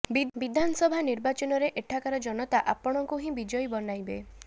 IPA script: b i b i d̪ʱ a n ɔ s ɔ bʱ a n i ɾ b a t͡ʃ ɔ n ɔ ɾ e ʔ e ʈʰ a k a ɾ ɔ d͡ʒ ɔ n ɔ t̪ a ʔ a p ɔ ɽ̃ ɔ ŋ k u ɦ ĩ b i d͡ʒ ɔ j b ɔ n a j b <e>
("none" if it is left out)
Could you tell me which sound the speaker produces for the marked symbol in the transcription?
e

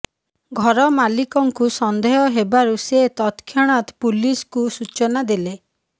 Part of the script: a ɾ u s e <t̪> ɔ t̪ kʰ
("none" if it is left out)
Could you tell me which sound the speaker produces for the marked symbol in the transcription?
t̪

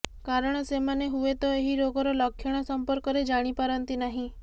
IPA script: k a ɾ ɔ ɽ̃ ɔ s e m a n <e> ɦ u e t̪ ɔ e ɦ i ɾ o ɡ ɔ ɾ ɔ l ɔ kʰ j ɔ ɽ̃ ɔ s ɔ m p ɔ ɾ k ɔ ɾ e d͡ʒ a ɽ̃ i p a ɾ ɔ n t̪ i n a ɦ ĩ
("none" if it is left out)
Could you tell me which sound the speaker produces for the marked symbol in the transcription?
e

